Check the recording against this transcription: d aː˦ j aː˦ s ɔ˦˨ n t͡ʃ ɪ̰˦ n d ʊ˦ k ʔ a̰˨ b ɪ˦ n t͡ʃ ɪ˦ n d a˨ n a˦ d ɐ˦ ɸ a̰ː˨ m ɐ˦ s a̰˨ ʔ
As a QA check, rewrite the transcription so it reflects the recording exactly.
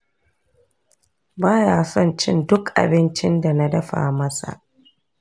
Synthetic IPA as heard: b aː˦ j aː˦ s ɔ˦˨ n t͡ʃ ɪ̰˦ n d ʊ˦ k ʔ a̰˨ b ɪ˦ n t͡ʃ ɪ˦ n d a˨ n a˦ d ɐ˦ ɸ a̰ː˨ m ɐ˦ s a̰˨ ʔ